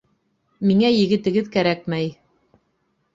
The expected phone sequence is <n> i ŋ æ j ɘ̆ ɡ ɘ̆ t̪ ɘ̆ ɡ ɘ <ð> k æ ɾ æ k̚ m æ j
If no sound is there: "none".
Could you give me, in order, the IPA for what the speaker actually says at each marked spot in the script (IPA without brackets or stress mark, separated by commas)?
m, ð